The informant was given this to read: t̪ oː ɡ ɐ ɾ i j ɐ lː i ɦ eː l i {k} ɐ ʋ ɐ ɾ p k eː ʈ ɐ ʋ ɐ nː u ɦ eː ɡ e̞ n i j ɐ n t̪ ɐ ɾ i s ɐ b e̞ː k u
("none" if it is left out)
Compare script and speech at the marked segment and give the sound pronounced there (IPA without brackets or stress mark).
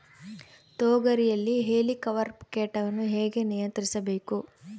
k